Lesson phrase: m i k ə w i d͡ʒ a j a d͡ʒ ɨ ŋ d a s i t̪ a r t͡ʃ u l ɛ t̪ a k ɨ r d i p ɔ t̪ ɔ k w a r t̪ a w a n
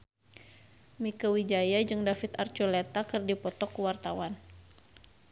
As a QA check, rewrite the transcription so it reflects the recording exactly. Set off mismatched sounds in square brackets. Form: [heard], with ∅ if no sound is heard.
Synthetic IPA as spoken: m i k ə w i d͡ʒ a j a d͡ʒ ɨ ŋ d a [f] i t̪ a r t͡ʃ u l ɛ t̪ a k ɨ r d i p ɔ t̪ ɔ k w a r t̪ a w a n